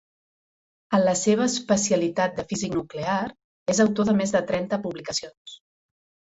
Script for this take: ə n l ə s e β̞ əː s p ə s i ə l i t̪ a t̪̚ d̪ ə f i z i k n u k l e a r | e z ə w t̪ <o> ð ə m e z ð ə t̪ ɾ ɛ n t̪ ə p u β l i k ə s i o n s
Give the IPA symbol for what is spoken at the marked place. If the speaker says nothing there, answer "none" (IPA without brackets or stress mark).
o